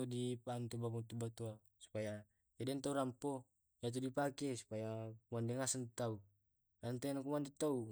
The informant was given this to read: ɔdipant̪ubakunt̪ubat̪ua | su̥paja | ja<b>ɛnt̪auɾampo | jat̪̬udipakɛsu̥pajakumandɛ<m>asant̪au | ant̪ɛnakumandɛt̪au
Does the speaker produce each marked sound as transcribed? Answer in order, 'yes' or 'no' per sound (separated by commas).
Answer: no, no